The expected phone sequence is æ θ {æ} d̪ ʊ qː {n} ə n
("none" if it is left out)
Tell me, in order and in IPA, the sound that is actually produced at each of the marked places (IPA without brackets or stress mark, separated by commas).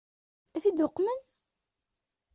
i, m